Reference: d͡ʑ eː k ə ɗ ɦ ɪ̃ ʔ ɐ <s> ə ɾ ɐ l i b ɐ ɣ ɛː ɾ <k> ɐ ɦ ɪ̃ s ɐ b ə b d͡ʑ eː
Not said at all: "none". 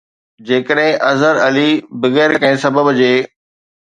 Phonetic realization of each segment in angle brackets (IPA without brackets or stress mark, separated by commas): z, k